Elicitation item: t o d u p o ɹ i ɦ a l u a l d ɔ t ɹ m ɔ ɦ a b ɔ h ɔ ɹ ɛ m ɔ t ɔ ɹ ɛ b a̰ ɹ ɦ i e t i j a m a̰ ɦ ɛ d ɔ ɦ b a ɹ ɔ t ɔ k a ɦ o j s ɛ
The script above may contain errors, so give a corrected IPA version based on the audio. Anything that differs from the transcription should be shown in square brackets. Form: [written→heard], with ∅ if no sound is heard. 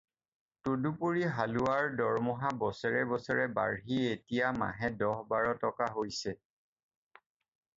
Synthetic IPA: t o d u p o ɹ i ɦ a l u a [l→ɹ] d ɔ [t→∅] ɹ m ɔ ɦ a b ɔ [h→s] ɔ ɹ ɛ [m→b] ɔ [t→s] ɔ ɹ ɛ b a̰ ɹ ɦ i e t i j a m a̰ ɦ ɛ d ɔ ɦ b a ɹ ɔ t ɔ k a ɦ o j s ɛ